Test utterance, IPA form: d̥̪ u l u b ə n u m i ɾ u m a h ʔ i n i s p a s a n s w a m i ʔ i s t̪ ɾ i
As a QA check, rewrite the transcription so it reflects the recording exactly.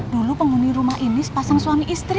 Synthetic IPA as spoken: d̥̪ u l u p ə ŋ u n i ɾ u m a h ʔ i n i s p a s a ŋ s w a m i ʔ i s t̪ ɾ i